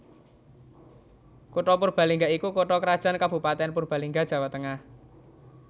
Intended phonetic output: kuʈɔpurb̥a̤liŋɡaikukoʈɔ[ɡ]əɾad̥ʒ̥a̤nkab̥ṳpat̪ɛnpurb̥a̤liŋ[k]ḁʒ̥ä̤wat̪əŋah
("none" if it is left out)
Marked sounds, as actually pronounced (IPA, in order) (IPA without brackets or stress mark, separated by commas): k, ɡ